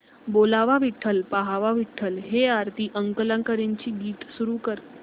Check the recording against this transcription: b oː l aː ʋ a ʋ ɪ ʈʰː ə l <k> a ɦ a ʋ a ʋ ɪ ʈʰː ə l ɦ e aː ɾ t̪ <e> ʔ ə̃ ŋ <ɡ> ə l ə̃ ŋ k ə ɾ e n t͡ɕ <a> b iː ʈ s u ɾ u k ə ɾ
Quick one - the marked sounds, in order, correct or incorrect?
incorrect: p, incorrect: i, incorrect: k, incorrect: i

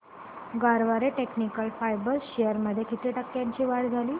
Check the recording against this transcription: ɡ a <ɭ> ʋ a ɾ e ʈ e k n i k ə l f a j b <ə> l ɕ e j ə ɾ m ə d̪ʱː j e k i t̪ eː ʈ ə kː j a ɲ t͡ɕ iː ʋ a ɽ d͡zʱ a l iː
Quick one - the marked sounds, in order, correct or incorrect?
incorrect: ɾ, correct

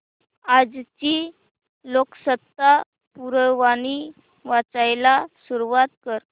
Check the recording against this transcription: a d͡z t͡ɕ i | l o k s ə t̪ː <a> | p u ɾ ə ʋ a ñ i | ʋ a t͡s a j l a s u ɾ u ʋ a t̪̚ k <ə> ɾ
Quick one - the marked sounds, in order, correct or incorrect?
correct, correct

